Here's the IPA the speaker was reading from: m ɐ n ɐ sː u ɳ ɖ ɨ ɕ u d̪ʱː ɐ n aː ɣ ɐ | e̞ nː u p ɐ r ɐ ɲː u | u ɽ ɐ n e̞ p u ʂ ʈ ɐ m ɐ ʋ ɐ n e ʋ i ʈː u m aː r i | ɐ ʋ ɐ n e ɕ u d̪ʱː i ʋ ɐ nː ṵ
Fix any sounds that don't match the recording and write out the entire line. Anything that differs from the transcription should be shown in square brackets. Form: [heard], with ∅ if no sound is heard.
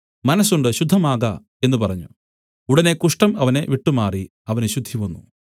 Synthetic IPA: m ɐ n ɐ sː u ɳ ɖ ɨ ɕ u d̪ʱː ɐ [m] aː ɣ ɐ | e̞ nː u p ɐ r ɐ ɲː u | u ɽ ɐ n e̞ [k] u ʂ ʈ ɐ m ɐ ʋ ɐ n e ʋ i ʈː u m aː r i | ɐ ʋ ɐ n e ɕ u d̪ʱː i ʋ ɐ nː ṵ